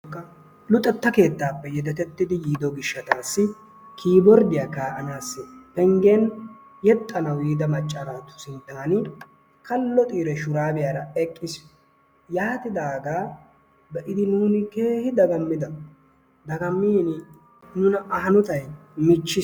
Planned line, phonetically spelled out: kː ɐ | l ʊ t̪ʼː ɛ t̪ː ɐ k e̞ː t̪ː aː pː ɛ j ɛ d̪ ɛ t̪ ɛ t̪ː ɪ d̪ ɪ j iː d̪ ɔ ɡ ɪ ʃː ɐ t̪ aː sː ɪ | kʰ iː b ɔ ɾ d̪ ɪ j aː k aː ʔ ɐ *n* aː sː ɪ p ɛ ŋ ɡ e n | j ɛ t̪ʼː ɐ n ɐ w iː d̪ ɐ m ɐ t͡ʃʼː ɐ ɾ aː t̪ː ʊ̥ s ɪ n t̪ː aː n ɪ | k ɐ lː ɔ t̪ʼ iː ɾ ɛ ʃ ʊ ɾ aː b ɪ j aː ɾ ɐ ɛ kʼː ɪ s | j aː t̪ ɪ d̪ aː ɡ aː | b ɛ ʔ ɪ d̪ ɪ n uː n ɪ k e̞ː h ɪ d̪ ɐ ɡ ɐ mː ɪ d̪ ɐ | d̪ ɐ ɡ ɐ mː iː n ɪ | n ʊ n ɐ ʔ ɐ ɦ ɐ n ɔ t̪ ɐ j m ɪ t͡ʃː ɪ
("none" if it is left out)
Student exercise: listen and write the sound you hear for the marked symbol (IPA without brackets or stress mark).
n